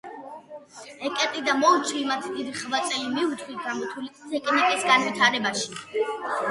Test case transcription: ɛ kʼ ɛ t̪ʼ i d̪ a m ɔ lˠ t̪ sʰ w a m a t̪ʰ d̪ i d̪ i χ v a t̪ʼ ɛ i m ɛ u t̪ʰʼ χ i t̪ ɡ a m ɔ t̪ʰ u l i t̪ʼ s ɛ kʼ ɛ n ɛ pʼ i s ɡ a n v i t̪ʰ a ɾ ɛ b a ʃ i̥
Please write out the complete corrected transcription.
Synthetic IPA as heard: ɛ kʼ ɛ t̪ʼ i d̪ a m ɔ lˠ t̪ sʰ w i m a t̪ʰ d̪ i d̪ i χ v a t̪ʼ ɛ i m i u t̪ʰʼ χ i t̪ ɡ a m ɔ t̪ʰ u l i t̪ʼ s ɛ kʼ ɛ n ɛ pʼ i s ɡ a n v i t̪ʰ a ɾ ɛ b a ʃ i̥